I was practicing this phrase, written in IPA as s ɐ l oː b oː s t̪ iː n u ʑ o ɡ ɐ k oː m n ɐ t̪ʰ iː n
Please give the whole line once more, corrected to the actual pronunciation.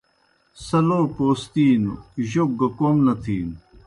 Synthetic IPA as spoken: s ɐ l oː p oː s t̪ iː n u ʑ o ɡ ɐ k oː m n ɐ t̪ʰ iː n

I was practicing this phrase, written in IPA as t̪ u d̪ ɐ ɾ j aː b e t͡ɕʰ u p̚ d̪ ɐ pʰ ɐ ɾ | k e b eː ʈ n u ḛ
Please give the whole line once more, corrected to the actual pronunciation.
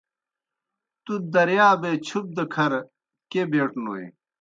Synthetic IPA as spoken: t̪ u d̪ ɐ ɾ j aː b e t͡ɕʰ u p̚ d̪ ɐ kʰ ɐ ɾ | k e b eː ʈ n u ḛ

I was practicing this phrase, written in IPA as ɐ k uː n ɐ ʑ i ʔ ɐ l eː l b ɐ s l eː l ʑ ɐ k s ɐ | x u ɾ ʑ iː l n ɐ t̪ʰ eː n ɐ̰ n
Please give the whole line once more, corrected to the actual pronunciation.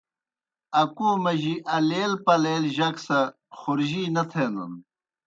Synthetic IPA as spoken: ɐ k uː m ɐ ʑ i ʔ ɐ l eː l p ɐ l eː l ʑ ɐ k s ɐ | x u ɾ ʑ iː n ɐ t̪ʰ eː n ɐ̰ n

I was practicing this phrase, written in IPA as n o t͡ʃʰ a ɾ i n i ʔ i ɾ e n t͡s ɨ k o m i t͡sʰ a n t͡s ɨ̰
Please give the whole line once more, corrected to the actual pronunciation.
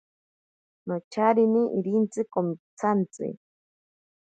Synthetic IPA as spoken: n o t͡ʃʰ a ɾ i n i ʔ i ɾ i n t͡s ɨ k o m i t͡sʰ a n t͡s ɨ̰

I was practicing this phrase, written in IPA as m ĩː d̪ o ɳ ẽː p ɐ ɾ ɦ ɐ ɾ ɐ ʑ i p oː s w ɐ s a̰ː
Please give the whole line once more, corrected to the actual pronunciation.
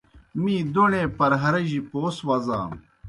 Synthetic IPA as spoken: m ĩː d̪ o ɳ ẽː p ɐ ɾ ɦ ɐ ɾ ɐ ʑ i p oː s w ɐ z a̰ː

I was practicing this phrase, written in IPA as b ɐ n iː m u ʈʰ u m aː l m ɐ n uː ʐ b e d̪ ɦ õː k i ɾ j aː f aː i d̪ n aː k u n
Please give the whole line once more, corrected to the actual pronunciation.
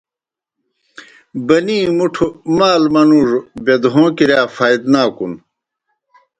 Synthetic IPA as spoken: b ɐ n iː m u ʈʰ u m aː l m ɐ n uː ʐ b e d̪ ɦ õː k i ɾ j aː f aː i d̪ n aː k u n

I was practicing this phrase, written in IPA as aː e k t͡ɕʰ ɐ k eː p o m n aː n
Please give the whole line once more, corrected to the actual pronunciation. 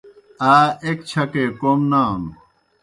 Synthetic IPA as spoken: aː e k t͡ɕʰ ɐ k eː k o m n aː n

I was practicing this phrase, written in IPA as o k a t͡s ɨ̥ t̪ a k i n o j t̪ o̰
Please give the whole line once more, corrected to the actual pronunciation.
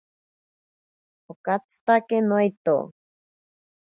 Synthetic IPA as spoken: o k a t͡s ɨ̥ t̪ a k e n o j t̪ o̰

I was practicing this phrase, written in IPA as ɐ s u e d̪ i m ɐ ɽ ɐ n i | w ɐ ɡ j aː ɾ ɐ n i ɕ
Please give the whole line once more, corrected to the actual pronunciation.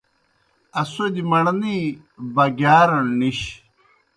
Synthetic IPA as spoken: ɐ s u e d̪ i m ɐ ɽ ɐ n i | b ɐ ɡ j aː ɾ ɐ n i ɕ

